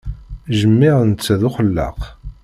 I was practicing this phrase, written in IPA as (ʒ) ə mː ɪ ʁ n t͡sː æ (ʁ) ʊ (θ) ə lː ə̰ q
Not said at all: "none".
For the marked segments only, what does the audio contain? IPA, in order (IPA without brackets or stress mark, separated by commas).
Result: ʒ, ð, χ